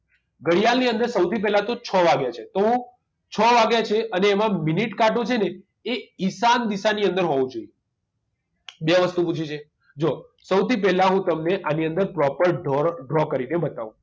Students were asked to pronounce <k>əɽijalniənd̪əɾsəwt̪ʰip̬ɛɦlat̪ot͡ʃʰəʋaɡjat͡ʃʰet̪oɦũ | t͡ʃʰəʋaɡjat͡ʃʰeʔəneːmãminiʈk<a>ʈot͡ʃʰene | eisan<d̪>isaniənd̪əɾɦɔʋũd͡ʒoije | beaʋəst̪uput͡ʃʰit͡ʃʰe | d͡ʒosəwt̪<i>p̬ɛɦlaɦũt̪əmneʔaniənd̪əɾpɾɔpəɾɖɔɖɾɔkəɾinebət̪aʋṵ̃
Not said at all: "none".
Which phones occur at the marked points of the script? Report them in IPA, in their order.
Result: ɡ, a, d̪, i

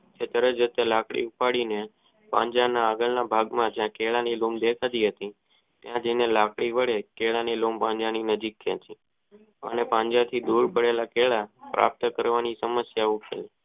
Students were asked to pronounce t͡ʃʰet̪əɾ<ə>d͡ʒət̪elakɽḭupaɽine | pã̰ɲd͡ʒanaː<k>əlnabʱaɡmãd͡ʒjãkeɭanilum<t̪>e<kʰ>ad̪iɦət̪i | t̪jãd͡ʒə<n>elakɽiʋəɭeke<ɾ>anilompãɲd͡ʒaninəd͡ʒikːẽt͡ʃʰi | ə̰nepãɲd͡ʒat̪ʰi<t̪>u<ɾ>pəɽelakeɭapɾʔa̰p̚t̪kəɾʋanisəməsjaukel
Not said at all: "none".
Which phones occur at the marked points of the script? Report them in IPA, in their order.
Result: ə, ɡ, d̪, kʰ, n, ɭ, d̪, ɾ

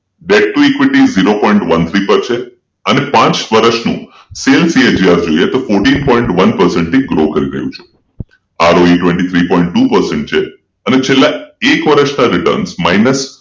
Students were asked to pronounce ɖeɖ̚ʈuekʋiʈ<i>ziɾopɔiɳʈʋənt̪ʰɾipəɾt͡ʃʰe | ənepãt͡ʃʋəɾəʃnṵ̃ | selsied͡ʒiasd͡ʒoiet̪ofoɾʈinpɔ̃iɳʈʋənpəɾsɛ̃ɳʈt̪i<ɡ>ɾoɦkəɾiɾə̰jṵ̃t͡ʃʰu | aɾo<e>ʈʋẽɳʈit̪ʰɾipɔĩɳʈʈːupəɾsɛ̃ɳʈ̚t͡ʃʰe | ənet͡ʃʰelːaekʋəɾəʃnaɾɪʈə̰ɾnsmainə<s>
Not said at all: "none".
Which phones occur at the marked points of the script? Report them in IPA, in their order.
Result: i, ɡ, i, s

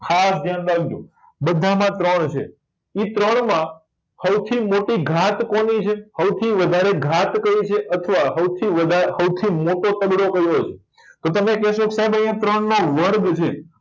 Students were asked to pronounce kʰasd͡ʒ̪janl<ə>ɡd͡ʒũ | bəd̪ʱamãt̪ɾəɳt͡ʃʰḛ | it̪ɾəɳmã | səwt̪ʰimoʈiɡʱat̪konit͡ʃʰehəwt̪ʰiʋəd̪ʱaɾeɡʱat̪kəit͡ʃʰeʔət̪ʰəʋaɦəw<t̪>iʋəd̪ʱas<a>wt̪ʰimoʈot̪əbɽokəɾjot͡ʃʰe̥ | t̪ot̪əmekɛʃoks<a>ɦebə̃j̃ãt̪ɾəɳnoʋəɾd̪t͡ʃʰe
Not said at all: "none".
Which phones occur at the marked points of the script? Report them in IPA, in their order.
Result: a, t̪ʰ, ə, a

